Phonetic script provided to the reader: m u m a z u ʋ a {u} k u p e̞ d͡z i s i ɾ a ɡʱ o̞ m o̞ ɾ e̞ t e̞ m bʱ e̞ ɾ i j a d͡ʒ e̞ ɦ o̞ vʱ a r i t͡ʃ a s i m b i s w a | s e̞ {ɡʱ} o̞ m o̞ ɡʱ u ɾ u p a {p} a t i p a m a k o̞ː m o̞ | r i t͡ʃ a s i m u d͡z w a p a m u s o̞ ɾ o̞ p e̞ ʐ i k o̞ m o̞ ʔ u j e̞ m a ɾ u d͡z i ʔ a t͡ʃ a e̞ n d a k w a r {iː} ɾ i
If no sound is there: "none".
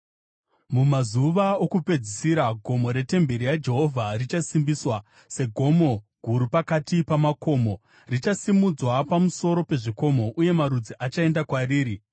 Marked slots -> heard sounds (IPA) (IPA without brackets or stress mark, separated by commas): o, ɡʱ, k, iː